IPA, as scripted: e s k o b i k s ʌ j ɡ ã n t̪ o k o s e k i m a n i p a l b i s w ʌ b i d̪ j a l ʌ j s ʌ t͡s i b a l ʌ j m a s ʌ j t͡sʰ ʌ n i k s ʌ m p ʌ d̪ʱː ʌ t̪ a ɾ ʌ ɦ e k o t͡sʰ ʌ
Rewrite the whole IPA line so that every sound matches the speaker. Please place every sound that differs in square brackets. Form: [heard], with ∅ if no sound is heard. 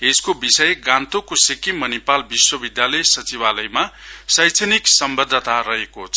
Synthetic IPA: e s k o b i [∅] s ʌ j ɡ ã n t̪ o k o s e k i m [ʌ] n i p a l b i s w ʌ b i d̪ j a l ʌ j s ʌ t͡s i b a l ʌ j m a s ʌ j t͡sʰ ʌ n i k s ʌ m [b] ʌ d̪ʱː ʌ t̪ a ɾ ʌ ɦ e k o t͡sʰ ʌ